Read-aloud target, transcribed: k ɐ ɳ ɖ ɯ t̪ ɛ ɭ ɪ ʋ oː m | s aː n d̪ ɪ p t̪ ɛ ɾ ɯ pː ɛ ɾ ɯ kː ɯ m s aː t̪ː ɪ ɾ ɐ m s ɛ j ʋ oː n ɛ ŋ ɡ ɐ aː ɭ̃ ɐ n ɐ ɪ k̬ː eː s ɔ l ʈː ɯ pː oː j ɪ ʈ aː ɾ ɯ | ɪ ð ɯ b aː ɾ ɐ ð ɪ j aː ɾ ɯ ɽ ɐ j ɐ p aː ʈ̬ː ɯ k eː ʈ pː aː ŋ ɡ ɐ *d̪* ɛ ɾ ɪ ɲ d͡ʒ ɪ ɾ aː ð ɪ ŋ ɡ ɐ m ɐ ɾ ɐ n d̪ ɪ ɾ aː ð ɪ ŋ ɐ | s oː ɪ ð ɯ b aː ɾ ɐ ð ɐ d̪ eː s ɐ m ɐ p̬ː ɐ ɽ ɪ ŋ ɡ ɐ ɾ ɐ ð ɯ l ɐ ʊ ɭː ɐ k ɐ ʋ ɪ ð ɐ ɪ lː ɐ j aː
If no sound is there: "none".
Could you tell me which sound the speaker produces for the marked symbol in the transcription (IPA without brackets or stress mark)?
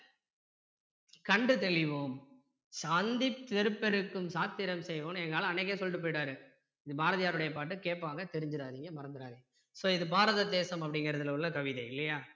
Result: t̪